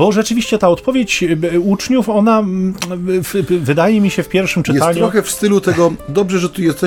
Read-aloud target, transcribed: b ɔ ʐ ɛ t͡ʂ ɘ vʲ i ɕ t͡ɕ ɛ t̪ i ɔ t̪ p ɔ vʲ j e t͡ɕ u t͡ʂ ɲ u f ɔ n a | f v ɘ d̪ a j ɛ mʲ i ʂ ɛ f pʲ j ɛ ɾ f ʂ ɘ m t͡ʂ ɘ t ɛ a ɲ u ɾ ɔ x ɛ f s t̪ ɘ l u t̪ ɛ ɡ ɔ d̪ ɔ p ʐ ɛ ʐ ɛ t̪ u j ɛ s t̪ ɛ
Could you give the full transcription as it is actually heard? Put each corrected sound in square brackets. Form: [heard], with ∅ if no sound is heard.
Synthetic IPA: b ɔ ʐ ɛ t͡ʂ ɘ vʲ i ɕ t͡ɕ ɛ t̪ [a] ɔ t̪ p ɔ vʲ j e t͡ɕ u t͡ʂ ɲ u f ɔ n a | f v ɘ d̪ a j ɛ mʲ i [ɕ] ɛ f pʲ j ɛ ɾ f ʂ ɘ m t͡ʂ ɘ t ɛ a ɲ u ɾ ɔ x ɛ f s t̪ ɘ l u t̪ ɛ ɡ ɔ d̪ ɔ [b] ʐ ɛ ʐ ɛ t̪ u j ɛ s t̪ ɛ